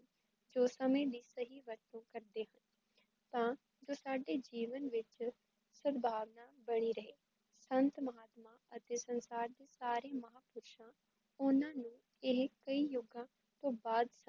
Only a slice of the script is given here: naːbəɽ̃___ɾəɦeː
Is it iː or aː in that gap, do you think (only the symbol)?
iː